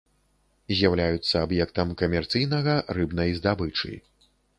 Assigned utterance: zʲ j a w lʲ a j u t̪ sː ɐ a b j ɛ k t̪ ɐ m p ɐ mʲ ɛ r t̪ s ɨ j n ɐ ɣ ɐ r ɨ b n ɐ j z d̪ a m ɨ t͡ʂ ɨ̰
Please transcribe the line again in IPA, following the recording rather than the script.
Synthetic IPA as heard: zʲ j a w lʲ a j u t̪ sː ɐ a b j ɛ k t̪ ɐ m k ɐ mʲ ɛ r t̪ s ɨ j n ɐ ɣ ɐ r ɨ b n ɐ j z d̪ a b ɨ t͡ʂ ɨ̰

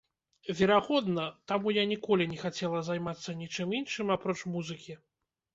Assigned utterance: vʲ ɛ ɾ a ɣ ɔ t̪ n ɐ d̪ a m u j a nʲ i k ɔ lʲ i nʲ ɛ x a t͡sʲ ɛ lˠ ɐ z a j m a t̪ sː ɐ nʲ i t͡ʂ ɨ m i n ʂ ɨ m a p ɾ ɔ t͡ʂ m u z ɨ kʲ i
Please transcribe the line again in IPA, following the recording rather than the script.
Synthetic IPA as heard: vʲ ɛ ɾ a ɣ ɔ d̪ n ɐ t̪ a m u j a nʲ i k ɔ lʲ i nʲ ɛ x a t͡sʲ ɛ lˠ ɐ z a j m a t̪ sː ɐ nʲ i t͡ʂ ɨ m i n ʂ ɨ m a p ɾ ɔ t͡ʂ m u z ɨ kʲ i

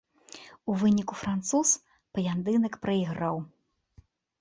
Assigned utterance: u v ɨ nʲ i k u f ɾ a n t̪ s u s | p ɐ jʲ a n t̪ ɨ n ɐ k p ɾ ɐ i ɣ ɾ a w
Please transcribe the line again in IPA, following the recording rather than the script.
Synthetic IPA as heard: u v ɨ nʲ i k u f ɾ a n t̪ s u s | p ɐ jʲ a n d̪ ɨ n ɐ k p ɾ ɐ i ɣ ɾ a w

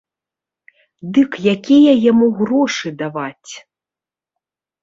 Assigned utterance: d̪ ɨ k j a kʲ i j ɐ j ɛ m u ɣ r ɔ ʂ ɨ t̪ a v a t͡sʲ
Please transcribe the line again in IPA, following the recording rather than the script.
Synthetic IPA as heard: d̪ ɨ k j a kʲ i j ɐ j a m u ɣ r ɔ ʂ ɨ d̪ a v a t͡sʲ

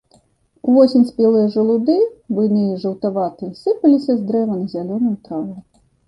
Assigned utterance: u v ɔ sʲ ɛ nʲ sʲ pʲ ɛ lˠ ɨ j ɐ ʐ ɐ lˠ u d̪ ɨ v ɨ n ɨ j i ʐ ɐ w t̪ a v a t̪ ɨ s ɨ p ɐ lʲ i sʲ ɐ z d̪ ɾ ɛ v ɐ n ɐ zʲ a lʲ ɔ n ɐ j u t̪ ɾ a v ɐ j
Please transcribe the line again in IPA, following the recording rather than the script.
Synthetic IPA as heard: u v ɔ sʲ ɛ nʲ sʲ pʲ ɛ lˠ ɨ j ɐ ʐ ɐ lˠ u d̪ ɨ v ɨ n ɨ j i ʐ ɐ w t̪ a v a t̪ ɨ s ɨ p ɐ lʲ i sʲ ɐ z d̪ ɾ ɛ v ɐ n ɐ zʲ a lʲ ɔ n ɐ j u t̪ ɾ a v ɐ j

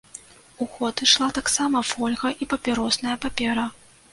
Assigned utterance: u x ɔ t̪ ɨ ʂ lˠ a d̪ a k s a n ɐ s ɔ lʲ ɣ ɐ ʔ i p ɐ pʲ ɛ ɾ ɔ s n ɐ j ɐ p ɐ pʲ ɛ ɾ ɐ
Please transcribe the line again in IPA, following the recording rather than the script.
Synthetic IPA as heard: u x ɔ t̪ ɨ ʂ lˠ a t̪ a k s a m ɐ f ɔ lʲ ɣ ɐ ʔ i p ɐ pʲ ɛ ɾ ɔ s n ɐ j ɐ p a pʲ ɛ ɾ ɐ

